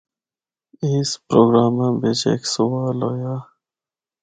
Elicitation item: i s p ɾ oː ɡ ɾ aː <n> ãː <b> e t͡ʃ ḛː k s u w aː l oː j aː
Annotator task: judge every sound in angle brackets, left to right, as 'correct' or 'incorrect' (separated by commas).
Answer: incorrect, correct